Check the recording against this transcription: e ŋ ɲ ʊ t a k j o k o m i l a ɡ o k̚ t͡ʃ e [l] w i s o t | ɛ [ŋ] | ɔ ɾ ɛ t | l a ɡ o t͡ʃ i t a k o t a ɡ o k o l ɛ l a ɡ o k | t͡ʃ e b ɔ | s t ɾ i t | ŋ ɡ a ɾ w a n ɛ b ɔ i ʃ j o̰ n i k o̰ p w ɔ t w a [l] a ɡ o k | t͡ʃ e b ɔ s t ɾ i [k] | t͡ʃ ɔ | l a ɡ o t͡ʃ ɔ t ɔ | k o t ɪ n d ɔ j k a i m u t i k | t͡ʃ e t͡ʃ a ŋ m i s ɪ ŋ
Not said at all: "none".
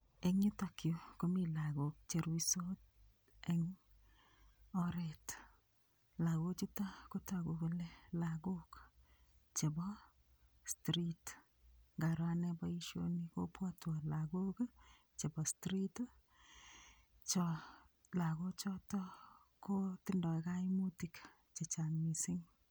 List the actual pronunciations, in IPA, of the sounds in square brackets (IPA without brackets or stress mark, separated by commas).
ɾ, ŋ, l, t